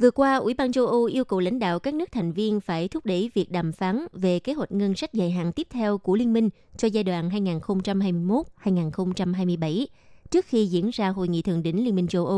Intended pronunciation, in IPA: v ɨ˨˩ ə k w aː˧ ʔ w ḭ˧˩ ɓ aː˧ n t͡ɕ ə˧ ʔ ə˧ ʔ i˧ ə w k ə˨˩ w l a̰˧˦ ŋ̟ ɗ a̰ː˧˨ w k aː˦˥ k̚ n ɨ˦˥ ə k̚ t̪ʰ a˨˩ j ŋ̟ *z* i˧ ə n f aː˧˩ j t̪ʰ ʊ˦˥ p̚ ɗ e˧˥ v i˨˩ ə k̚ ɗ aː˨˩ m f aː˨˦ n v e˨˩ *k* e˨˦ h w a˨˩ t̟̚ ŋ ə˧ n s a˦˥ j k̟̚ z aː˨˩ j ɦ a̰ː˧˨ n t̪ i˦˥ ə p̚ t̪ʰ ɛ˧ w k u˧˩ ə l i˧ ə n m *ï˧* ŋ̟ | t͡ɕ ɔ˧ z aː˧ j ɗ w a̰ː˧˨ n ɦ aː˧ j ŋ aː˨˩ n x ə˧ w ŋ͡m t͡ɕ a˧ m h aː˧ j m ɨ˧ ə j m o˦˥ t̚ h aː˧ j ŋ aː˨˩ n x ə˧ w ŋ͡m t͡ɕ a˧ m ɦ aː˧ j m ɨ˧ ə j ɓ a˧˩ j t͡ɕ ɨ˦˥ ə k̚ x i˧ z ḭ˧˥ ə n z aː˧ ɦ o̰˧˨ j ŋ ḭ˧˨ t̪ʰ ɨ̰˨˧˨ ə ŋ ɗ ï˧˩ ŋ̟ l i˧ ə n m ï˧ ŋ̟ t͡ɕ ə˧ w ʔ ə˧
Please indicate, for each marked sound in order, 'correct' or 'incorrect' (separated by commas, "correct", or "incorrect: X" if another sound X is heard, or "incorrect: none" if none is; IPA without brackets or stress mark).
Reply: incorrect: v, correct, correct